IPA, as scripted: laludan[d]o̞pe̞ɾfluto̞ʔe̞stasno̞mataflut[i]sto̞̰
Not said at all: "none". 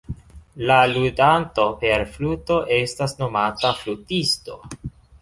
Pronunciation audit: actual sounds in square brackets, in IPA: t, i

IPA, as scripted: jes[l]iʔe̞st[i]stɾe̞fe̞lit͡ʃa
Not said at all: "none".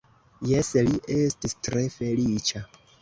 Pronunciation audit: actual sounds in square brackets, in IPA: l, i

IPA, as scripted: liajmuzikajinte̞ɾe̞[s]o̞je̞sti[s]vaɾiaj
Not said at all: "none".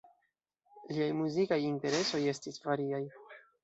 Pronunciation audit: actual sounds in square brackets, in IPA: s, s

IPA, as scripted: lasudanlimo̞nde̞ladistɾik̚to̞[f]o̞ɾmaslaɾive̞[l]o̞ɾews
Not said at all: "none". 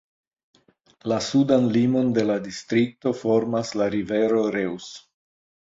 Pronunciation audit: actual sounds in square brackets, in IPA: f, ɾ

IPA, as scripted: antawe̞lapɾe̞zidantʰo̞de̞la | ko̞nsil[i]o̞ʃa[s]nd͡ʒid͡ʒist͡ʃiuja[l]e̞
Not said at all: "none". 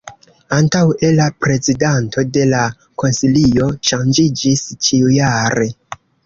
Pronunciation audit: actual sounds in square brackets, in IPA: i, none, ɾ

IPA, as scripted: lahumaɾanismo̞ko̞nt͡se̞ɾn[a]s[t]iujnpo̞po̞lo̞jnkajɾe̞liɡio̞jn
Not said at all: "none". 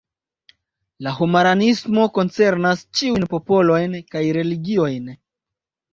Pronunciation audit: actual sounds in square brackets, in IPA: a, t͡ʃ

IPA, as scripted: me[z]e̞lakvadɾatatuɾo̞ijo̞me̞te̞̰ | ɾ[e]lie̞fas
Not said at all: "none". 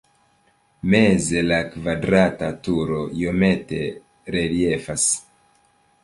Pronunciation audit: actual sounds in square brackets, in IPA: z, e

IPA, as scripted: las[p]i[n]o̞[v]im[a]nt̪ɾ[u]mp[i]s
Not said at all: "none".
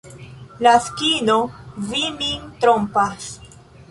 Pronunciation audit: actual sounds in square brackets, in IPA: k, n, v, i, o, a

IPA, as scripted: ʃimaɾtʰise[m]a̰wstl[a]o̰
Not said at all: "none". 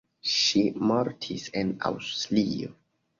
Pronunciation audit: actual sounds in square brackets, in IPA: n, i

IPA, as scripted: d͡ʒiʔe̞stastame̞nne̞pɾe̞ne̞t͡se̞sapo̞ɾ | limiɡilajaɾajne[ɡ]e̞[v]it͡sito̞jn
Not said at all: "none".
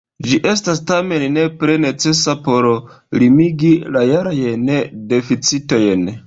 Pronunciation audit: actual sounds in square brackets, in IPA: d, f

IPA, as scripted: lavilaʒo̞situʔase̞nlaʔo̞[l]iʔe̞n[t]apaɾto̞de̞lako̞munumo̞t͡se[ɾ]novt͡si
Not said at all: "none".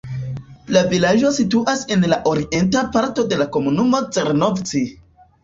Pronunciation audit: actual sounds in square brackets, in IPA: ɾ, t, ɾ

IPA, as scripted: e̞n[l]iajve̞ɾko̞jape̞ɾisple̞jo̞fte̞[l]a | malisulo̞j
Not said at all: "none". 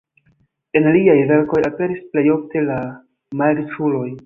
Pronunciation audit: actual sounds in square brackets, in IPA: l, l

